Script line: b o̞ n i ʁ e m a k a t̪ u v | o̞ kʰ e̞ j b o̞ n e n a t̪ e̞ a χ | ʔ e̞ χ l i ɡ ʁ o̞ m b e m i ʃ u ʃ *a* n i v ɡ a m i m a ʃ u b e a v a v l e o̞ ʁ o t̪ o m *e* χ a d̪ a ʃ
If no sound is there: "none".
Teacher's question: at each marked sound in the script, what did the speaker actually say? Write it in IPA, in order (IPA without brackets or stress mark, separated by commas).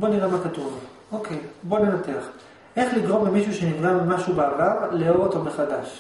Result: e, e